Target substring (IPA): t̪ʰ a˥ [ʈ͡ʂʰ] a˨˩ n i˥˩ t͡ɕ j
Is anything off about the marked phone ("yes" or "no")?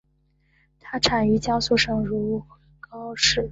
no